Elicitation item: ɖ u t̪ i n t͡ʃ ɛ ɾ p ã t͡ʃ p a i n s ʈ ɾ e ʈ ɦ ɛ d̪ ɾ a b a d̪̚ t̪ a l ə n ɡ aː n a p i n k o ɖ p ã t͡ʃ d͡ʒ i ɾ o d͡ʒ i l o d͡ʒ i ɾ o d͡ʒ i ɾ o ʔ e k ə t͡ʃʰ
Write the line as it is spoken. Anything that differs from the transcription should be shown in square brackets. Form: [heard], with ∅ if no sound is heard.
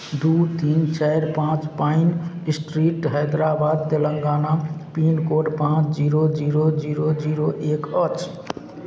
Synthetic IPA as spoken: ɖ u t̪ i n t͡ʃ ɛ ɾ p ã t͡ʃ p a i n s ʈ ɾ [i] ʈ ɦ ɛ d̪ ɾ a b a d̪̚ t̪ [e] l ə [ŋ] ɡ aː n a p i n k o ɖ p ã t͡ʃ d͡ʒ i ɾ o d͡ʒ i [ɾ] o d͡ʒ i ɾ o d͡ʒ i ɾ o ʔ e k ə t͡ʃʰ